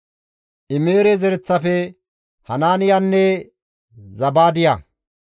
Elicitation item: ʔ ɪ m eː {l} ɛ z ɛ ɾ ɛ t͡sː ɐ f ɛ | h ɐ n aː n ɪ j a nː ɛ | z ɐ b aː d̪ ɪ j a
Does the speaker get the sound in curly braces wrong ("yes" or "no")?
yes